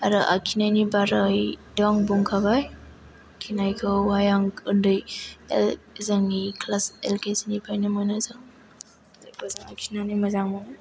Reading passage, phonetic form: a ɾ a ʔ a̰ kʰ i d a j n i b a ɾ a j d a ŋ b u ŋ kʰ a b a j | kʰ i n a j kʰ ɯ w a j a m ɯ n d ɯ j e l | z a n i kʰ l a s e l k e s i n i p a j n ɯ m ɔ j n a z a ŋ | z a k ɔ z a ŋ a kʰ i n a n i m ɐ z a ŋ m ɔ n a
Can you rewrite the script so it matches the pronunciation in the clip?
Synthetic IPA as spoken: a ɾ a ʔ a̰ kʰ i n a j n i b a ɾ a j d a ŋ b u ŋ kʰ a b a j | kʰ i n a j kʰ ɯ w a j a ŋ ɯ n d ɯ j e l | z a ŋ i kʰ l a s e l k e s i n i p a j n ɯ m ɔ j n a z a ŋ | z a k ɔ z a ŋ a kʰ i n a n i m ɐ z a ŋ m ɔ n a